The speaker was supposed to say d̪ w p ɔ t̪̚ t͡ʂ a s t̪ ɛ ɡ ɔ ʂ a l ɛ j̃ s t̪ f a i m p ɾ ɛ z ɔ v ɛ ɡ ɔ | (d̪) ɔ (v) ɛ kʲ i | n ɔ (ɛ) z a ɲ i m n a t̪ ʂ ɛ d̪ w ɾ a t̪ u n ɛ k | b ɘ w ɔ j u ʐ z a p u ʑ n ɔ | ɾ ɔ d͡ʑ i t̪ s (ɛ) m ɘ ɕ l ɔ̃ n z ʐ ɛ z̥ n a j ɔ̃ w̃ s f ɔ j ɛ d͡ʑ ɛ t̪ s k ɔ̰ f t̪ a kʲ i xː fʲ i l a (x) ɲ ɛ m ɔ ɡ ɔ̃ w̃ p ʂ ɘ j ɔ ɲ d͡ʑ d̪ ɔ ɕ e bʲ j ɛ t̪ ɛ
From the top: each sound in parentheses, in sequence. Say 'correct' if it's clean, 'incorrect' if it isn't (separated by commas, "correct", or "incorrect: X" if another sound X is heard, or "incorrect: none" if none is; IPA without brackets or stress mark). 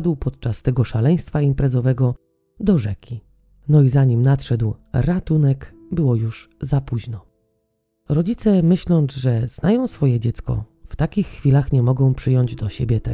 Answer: correct, incorrect: ʐ, incorrect: i, correct, correct